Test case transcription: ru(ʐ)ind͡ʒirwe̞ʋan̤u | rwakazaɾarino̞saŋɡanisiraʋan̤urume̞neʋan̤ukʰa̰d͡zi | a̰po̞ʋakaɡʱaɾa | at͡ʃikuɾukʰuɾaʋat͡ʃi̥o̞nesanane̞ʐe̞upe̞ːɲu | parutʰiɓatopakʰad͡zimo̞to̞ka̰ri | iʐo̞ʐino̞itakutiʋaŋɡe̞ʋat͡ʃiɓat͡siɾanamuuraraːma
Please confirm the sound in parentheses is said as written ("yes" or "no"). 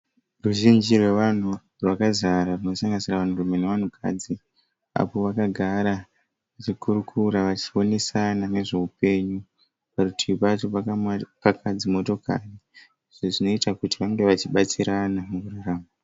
no